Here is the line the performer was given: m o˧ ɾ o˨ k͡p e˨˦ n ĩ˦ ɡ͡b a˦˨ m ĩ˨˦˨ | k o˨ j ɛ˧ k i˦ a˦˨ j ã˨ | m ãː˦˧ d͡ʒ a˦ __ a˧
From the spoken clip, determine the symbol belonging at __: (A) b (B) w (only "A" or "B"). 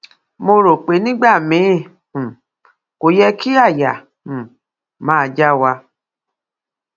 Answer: B